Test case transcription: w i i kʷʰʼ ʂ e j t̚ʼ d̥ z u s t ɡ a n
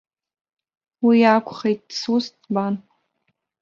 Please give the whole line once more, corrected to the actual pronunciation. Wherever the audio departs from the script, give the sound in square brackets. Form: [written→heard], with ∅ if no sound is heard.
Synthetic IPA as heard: w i [i→a] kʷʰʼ [ʂ→χ] e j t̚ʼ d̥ [z→s] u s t [ɡ→b] a n